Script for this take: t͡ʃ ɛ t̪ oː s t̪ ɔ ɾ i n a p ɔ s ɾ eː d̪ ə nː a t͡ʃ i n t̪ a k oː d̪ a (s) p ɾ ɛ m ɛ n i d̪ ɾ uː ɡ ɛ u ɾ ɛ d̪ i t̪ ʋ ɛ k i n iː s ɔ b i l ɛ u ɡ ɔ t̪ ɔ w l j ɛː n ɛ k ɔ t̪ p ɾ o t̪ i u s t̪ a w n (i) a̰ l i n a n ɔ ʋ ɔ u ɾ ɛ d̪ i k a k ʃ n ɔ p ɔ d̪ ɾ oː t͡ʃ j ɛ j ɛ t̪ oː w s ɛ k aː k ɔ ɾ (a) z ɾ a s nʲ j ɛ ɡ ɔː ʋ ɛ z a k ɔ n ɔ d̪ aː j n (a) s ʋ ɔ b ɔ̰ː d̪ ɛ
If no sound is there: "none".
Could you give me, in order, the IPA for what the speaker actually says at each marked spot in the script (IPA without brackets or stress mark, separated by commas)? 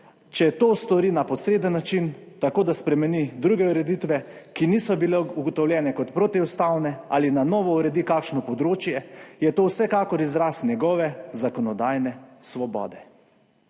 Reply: s, ɛ, i, ɛ